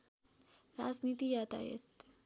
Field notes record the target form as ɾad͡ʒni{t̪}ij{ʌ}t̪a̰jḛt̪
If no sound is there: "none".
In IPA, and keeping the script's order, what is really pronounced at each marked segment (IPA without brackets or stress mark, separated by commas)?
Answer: t̪, a